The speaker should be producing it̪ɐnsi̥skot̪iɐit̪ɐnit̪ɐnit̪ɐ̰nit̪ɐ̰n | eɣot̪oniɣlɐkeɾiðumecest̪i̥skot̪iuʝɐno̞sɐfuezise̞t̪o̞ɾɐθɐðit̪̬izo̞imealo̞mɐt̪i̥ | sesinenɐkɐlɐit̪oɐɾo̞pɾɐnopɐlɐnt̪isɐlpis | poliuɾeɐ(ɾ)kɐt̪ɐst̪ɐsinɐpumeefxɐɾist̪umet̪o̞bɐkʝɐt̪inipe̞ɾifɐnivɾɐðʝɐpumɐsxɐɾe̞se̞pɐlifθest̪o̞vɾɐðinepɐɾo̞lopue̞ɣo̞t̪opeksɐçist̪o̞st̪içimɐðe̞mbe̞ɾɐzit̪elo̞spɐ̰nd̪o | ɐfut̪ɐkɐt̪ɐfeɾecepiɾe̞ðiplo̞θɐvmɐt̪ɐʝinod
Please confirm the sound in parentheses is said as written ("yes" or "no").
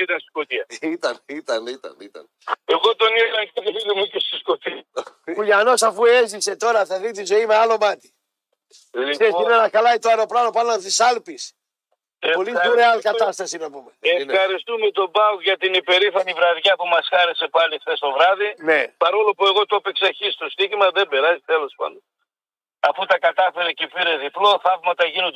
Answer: no